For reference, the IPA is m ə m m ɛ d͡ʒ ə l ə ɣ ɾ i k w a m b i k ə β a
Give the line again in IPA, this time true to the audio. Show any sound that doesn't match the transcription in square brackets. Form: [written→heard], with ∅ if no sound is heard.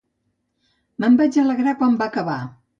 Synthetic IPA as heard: m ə m [m→b] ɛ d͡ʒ ə l ə ɣ ɾ [i→a] k w a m b [i→a] k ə β a